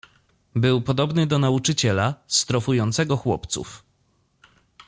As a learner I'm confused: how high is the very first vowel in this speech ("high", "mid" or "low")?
mid